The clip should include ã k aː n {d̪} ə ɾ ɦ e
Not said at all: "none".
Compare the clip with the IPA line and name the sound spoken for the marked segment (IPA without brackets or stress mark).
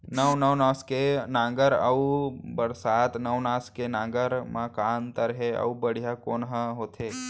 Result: t̪